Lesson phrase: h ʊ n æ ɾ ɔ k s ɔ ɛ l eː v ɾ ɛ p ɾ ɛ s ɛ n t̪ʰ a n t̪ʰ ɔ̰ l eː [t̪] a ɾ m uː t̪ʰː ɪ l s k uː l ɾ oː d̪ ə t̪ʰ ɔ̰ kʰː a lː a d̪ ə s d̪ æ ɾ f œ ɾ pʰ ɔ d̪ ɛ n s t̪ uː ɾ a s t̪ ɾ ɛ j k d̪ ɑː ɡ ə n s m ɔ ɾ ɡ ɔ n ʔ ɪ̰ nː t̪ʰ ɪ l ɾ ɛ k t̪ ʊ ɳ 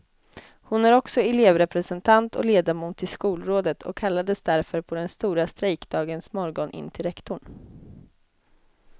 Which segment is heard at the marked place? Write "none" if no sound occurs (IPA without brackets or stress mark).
d̪